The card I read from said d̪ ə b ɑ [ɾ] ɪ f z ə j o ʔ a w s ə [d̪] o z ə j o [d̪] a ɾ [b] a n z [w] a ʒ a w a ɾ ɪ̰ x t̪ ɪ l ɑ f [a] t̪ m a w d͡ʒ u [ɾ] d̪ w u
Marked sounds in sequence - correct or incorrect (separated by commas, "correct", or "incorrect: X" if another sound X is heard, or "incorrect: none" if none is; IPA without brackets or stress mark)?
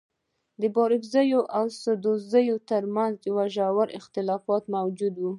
correct, correct, incorrect: t̪, incorrect: m, correct, incorrect: ɑ, incorrect: none